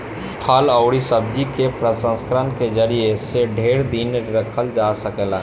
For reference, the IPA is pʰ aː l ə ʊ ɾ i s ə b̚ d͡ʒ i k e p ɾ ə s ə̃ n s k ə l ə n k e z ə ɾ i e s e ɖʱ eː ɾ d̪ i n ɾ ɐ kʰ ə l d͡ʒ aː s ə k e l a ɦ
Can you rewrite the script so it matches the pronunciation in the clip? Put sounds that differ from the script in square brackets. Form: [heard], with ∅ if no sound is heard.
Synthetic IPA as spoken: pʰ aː l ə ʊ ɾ i s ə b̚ d͡ʒ i k e p ɾ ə s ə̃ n s k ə [ɾ] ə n k e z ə ɾ i e s e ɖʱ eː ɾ d̪ i n ɾ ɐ kʰ ə l d͡ʒ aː s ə k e l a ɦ

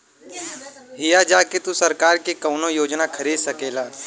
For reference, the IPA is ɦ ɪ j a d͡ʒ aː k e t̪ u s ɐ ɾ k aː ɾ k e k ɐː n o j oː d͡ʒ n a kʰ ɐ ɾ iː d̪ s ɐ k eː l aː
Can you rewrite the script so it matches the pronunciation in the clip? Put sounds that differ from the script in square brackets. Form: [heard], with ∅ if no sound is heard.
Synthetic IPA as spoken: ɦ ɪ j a d͡ʒ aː k e t̪ u s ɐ ɾ k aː ɾ k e k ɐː n o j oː d͡ʒ n a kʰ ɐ ɾ iː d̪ s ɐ k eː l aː

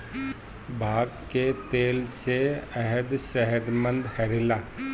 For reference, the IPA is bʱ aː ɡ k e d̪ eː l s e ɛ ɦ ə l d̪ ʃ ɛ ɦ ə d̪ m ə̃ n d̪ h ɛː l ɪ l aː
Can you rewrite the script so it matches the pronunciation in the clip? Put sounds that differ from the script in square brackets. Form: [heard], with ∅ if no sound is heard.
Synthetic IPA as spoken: bʱ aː ɡ k e [t̪] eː l s e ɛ ɦ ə [∅] d̪ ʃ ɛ ɦ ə d̪ m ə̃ n d̪ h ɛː [ɾ] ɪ l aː

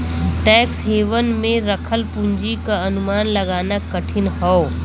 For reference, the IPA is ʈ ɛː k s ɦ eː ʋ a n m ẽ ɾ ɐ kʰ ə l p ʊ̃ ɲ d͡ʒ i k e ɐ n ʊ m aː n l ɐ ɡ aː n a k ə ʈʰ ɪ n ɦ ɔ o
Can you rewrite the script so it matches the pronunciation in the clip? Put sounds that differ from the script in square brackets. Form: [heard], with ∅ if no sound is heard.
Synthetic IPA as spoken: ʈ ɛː k s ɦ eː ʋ [ə] n m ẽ ɾ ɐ kʰ ə l p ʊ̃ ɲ d͡ʒ i k [a] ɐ n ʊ m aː n l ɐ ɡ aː n a k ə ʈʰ ɪ n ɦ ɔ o

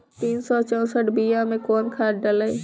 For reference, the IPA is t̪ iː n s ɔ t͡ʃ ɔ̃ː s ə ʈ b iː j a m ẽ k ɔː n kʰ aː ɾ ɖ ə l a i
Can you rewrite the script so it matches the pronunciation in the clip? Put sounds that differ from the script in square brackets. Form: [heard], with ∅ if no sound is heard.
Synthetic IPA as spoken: t̪ iː n s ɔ t͡ʃ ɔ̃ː s ə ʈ b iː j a m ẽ k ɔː n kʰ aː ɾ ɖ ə l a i

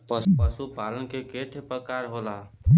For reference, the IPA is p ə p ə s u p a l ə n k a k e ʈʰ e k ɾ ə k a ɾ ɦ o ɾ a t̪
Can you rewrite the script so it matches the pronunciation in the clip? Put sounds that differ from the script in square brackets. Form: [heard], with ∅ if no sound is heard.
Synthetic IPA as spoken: p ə p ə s u p a l ə n k [e] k e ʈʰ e [p] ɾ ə k a ɾ ɦ o [l] a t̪

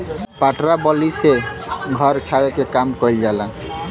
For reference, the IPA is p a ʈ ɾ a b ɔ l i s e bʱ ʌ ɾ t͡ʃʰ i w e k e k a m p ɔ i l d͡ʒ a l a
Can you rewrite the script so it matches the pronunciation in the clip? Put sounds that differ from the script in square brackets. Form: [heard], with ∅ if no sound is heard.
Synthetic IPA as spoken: p a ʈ ɾ a b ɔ l i s e [ɡʱ] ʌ ɾ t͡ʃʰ [a] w e k e k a m [k] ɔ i l d͡ʒ a l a

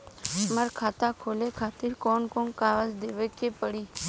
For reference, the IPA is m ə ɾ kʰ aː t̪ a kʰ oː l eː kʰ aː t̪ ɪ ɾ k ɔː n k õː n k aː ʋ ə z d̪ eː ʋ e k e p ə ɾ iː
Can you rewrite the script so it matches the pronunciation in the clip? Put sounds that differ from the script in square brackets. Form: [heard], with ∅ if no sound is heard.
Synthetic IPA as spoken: m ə ɾ kʰ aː t̪ a kʰ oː l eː kʰ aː t̪ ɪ ɾ k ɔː n k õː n k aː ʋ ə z d̪ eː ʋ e k e p ə [ɽ] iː

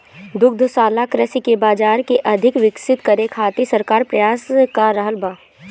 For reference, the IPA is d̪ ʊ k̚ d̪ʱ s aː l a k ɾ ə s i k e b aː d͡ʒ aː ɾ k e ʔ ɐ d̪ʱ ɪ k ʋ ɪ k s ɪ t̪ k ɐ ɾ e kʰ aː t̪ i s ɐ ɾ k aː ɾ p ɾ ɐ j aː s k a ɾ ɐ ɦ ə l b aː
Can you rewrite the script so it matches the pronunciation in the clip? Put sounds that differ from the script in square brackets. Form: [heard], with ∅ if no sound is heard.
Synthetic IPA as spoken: d̪ ʊ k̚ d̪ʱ s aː l a k ɾ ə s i k e b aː d͡ʒ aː ɾ k e ʔ ɐ d̪ʱ ɪ k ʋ ɪ k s ɪ t̪ k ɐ ɾ e kʰ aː t̪ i s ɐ ɾ k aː ɾ p ɾ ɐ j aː s k a ɾ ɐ ɦ ə l b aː

